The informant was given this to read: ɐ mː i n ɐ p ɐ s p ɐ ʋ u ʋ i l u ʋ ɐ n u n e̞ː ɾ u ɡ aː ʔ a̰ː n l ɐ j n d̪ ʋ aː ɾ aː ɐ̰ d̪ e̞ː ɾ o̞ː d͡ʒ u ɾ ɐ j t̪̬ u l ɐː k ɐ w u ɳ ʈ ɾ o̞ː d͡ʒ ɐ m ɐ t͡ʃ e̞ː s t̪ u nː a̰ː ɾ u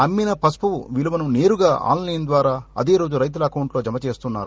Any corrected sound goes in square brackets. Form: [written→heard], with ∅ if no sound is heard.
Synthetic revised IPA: ɐ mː i n ɐ p ɐ s p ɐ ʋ u ʋ i l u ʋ ɐ n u n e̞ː ɾ u ɡ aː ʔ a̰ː n l ɐ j n d̪ ʋ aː ɾ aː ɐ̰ d̪ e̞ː ɾ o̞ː d͡ʒ u ɾ ɐ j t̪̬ u l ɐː k ɐ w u ɳ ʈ [ɾ→l] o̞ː d͡ʒ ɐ m ɐ t͡ʃ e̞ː s t̪ u nː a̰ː ɾ u